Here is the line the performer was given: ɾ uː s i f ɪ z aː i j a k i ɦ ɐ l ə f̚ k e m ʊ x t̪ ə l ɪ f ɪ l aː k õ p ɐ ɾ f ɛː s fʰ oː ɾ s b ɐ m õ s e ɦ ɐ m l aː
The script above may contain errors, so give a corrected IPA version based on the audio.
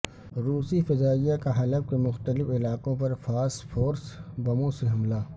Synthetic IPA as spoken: ɾ uː s i f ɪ z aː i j a k a ɦ ɐ l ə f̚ k e m ʊ x t̪ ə l ɪ f ɪ l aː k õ p ɐ ɾ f aː s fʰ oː ɾ s b ɐ m õ s e ɦ ɐ m l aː

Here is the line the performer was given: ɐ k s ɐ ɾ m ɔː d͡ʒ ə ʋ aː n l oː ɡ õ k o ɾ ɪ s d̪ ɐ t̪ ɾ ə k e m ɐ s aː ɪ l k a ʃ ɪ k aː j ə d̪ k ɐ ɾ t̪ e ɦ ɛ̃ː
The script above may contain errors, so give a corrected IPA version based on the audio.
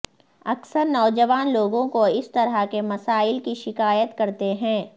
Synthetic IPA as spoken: ɐ k s ə ɾ n ɔː d͡ʒ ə ʋ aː n l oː ɡ õ k o ɪ s t̪ ɐ ɾ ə k e m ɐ s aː ɪ l k i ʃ ɪ k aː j ə t̪ k ɐ ɾ t̪ e ɦ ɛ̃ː

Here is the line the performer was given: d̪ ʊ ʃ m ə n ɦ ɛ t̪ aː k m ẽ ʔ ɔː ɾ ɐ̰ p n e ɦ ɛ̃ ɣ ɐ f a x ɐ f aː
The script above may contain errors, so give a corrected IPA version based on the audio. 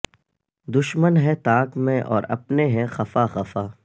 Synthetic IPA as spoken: d̪ ʊ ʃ m ə n ɦ ɛ t̪ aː k m ẽ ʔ ɔː ɾ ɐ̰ p n e ɦ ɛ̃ x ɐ f a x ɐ f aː

